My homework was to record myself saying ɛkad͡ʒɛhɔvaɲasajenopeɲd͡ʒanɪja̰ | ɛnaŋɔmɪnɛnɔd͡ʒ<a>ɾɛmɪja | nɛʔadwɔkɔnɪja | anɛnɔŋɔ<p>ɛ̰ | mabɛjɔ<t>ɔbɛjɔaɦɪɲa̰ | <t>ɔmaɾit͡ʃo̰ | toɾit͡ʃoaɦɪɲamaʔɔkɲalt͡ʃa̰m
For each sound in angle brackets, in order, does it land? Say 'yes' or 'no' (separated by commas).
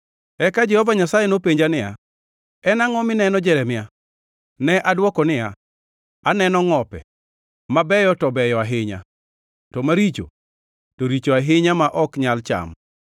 no, yes, yes, yes